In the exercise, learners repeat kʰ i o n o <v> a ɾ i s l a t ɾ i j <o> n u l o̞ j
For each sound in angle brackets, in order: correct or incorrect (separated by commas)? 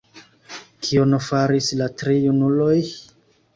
incorrect, incorrect